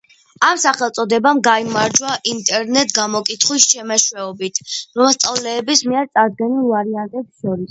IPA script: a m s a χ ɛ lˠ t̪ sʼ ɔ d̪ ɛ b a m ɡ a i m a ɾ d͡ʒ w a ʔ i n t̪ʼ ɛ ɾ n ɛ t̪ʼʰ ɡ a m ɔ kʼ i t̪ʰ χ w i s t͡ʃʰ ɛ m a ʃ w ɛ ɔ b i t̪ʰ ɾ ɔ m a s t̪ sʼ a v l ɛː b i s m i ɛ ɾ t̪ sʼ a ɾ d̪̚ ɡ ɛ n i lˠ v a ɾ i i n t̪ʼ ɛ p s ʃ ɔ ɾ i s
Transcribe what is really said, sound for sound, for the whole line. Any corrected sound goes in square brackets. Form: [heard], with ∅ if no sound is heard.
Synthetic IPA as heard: a m s a χ ɛ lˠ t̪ sʼ ɔ d̪ ɛ b a m ɡ a i m a ɾ d͡ʒ w a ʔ i n t̪ʼ ɛ ɾ n ɛ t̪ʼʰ ɡ a m ɔ kʼ i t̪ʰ χ w i s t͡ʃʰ ɛ m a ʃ w ɛ ɔ b i t̪ʰ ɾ ɔ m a s t̪ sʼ a v l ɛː b i s m i ɛ ɾ t̪ sʼ a ɾ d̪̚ ɡ ɛ n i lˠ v a ɾ i [a] n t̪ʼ ɛ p s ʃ ɔ ɾ i s